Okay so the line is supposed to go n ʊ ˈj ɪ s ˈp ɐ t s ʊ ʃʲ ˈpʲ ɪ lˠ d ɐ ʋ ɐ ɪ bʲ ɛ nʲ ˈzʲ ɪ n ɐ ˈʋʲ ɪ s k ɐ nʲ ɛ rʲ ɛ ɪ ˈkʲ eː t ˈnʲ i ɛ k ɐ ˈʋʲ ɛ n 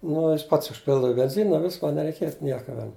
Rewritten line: n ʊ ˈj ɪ s ˈp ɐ t s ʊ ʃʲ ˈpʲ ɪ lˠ d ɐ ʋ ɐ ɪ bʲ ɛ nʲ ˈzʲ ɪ n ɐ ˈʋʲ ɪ s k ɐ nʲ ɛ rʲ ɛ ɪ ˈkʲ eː t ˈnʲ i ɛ k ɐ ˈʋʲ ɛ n